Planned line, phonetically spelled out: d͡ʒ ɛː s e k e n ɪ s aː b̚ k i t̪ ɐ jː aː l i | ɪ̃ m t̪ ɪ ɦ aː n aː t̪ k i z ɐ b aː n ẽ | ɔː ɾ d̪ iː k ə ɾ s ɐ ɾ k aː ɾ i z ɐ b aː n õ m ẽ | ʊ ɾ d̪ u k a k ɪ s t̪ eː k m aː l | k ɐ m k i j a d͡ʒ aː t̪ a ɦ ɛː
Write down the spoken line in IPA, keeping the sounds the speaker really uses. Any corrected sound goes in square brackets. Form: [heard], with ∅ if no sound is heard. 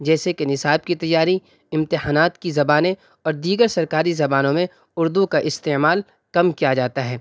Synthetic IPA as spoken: d͡ʒ ɛː s e k e n ɪ s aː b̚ k i t̪ ɐ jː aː [ɾ] i | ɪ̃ m t̪ ɪ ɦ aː n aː t̪ k i z ɐ b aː n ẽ | ɔː ɾ d̪ iː [ɡ] ə ɾ s ɐ ɾ k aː ɾ i z ɐ b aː n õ m ẽ | ʊ ɾ d̪ u k a [ʔ] ɪ s t̪ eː [∅] m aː l | k ɐ m k i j a d͡ʒ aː t̪ a ɦ ɛː